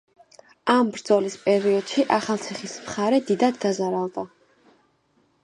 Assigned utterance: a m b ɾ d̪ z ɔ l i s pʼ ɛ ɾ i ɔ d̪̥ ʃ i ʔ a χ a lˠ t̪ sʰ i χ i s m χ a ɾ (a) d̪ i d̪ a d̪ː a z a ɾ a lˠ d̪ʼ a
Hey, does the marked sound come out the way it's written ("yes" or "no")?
no